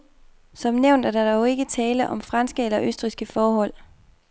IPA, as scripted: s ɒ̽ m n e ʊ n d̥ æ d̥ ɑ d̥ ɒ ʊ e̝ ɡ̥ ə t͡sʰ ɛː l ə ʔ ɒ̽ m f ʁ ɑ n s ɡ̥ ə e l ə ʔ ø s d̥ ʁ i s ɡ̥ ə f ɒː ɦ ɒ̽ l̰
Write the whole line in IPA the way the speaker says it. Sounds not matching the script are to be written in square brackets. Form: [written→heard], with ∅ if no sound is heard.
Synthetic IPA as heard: s ɒ̽ m n e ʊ n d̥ æ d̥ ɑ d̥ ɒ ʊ e̝ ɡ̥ ə t͡sʰ ɛː l ə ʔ ɒ̽ m f ʁ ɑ n s ɡ̥ ə e l [ə→ɐ] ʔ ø s d̥ ʁ i s ɡ̥ ə f ɒː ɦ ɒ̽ l̰